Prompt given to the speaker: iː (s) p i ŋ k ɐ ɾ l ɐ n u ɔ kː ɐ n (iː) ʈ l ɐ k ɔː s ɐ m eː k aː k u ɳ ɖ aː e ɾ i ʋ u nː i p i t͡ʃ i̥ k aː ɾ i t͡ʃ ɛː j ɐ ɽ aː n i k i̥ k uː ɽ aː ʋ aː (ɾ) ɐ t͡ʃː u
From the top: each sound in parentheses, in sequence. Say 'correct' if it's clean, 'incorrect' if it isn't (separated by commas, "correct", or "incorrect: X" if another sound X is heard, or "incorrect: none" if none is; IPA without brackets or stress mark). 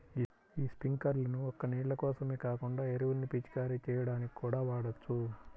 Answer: correct, correct, incorrect: ɽ